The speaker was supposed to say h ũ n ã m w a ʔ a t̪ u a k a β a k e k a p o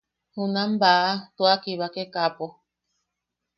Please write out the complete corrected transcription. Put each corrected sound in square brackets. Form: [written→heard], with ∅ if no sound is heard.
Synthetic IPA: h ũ n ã m [w→b] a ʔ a t̪ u a k [a→i] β a k e k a p o